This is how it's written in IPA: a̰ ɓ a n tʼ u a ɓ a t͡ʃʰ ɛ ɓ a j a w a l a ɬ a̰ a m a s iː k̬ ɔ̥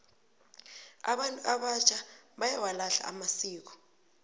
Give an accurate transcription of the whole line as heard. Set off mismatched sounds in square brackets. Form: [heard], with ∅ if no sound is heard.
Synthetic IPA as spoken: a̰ ɓ a n tʼ u a ɓ a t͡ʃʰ [a] ɓ a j a w a l a ɬ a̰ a m a s iː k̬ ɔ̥